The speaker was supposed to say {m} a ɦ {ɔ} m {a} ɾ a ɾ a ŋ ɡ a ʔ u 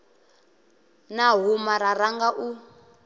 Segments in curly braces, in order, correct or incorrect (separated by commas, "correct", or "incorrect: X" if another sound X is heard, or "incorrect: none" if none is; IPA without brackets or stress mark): incorrect: n, incorrect: u, correct